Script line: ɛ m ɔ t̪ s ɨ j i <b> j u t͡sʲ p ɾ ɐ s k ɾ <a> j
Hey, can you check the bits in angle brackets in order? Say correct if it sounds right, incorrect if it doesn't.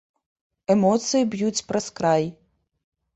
correct, correct

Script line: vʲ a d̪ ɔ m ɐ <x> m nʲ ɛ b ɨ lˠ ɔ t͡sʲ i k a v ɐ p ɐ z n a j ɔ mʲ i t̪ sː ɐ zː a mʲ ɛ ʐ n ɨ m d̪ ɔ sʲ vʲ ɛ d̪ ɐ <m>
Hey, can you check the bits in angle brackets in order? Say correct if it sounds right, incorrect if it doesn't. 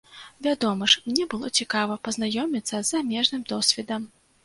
incorrect, correct

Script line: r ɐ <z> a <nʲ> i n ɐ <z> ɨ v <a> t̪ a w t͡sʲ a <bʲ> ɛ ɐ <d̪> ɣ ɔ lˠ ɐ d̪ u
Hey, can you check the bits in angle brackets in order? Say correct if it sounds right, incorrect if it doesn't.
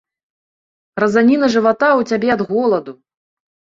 correct, correct, incorrect, correct, correct, correct

